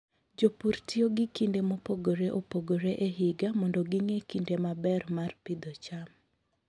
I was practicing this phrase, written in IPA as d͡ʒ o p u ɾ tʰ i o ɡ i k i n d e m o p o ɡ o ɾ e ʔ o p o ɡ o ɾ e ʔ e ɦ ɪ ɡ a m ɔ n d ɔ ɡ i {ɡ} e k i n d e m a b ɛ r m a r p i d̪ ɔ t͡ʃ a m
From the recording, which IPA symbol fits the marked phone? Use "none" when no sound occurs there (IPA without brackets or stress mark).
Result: ŋ